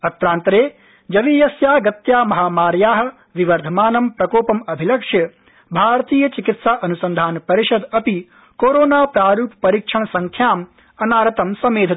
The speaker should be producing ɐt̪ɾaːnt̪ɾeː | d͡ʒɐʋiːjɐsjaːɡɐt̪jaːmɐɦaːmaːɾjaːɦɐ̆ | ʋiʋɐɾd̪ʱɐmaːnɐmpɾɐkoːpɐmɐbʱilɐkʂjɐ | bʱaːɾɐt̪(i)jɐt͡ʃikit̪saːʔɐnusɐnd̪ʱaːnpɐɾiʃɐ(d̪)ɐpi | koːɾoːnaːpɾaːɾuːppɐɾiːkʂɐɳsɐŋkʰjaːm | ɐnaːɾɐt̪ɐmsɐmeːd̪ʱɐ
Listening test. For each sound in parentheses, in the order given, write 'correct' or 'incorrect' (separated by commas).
incorrect, correct